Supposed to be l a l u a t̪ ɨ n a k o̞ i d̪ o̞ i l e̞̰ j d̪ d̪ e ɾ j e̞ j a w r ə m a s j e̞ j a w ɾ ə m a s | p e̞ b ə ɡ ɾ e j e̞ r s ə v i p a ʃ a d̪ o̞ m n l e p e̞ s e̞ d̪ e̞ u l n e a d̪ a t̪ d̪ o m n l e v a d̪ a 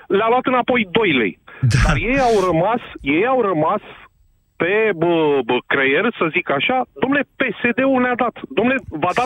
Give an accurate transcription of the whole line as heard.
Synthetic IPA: l a l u a t̪ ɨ n a p o̞ j d̪ o̞ j l e̞̰ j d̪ d̪ a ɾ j e̞ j a w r ə m a s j e̞ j a w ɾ ə m a s | p e̞ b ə k ɾ e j e̞ r s ə z i k a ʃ a d̪ o̞ m n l e p e̞ s e̞ d̪ e̞ u l n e a d̪ a t̪ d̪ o m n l e v a d̪ a